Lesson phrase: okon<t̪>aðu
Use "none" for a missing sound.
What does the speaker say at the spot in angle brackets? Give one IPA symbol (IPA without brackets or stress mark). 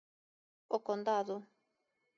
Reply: d̪